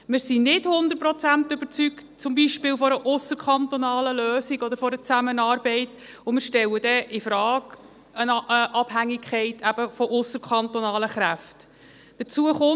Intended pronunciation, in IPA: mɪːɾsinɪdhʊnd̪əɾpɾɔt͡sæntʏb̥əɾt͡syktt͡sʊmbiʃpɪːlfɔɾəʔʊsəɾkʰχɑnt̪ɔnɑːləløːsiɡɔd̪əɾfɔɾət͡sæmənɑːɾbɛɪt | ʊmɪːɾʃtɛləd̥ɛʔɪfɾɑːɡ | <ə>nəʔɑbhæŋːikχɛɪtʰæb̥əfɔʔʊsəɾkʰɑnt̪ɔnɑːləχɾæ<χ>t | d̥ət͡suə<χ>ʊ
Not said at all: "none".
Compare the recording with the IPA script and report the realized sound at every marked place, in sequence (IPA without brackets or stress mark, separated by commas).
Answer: ə, f, χ